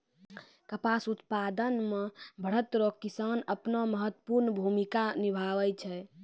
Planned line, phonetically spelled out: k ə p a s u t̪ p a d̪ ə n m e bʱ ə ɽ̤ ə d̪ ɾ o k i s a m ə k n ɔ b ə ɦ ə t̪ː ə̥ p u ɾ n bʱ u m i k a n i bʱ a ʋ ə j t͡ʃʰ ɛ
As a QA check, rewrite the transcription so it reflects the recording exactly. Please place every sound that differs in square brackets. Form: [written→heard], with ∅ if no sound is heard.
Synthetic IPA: k ə p a s u t̪ p a d̪ ə n m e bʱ ə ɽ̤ ə [d̪→t̪] ɾ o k i s a [m→n] ə [k→p] n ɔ [b→m] ə ɦ ə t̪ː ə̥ p u ɾ n bʱ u m i k a n i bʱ a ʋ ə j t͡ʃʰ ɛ